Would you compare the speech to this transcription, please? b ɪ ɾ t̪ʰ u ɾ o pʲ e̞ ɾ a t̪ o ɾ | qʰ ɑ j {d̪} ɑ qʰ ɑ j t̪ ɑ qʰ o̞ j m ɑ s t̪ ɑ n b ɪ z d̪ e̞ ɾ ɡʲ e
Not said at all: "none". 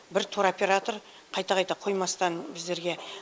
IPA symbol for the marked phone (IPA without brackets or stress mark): t̪